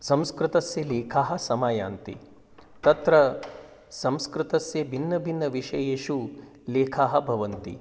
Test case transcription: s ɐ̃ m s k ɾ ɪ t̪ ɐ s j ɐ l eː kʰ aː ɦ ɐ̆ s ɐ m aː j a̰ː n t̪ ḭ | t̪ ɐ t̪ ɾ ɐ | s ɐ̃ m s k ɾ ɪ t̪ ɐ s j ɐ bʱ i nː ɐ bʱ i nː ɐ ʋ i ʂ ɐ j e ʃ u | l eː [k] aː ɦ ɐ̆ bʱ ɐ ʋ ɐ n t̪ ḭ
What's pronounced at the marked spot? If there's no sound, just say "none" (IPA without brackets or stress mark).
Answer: kʰ